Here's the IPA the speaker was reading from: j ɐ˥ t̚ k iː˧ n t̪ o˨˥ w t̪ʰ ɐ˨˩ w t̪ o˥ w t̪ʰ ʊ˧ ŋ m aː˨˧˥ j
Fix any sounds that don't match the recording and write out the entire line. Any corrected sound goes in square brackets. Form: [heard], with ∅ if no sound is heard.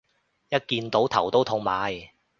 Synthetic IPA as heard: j ɐ˥ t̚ k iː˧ n t̪ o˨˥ w t̪ʰ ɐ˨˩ w t̪ o˥ w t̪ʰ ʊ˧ ŋ m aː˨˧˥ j